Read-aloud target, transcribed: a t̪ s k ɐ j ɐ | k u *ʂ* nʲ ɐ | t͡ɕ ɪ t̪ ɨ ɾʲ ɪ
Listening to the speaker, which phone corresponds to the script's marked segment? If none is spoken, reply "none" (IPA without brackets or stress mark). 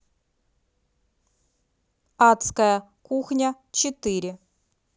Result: x